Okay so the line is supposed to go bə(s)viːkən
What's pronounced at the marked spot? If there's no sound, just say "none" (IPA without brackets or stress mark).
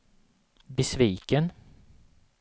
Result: s